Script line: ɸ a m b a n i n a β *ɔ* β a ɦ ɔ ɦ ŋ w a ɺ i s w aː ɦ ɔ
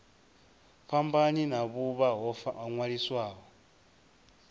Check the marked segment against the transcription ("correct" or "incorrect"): incorrect